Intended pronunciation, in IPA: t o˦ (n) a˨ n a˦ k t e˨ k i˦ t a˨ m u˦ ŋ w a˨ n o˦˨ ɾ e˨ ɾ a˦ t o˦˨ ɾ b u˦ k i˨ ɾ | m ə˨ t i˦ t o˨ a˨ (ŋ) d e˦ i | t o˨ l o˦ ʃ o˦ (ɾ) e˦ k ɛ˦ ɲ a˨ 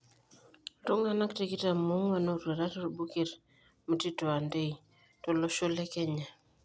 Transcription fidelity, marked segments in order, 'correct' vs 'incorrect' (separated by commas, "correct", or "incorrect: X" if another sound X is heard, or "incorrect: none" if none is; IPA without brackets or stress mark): incorrect: ŋ, incorrect: n, incorrect: l